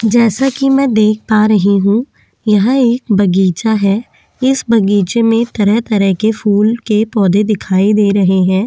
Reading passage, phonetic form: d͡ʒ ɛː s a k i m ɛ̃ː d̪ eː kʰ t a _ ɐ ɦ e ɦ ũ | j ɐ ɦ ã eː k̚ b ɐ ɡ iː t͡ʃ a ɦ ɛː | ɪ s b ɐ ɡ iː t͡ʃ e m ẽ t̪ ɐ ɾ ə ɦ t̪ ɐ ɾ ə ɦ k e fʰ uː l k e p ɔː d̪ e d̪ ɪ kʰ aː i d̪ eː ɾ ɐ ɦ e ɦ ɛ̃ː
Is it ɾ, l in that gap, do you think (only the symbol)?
ɾ